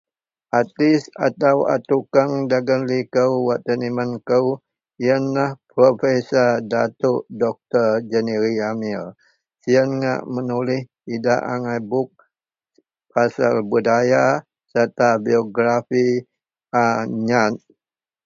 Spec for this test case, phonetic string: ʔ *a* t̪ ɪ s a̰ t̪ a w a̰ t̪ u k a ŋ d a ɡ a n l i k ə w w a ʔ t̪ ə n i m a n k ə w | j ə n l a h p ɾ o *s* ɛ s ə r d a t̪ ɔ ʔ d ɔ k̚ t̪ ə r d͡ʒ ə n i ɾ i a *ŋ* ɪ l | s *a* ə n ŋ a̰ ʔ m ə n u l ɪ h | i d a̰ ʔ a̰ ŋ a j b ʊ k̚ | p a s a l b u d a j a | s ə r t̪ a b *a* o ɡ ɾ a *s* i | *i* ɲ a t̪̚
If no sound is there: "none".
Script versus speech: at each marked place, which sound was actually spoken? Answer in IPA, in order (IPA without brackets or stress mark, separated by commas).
a, f, m, i, i, f, a